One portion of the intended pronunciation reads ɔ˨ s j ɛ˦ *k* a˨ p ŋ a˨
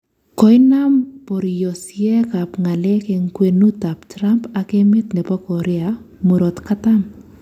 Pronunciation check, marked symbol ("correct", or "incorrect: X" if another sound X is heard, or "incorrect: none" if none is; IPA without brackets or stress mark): correct